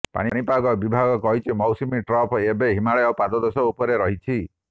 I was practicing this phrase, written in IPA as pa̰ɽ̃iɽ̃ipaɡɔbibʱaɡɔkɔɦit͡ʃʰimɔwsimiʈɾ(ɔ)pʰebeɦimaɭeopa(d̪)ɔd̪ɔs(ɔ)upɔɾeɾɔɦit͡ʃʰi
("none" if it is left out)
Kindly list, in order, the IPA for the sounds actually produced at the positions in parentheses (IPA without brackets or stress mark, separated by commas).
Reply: ɔ, d̪, ɔ